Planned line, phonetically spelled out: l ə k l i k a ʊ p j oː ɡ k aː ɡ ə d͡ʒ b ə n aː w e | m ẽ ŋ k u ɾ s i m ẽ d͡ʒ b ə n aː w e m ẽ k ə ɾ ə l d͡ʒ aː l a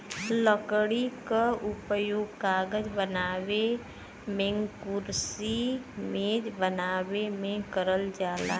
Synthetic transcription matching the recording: l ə k ɽ i k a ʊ p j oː ɡ k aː ɡ ə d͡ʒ b ə n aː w e | m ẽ ŋ k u ɾ s i m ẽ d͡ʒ b ə n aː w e m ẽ k ə ɾ ə l d͡ʒ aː l a